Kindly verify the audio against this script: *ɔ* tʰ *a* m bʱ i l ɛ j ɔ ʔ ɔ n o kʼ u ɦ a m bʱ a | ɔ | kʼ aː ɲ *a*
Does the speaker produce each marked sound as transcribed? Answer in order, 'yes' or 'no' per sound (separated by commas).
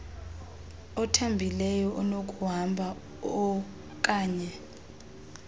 yes, yes, no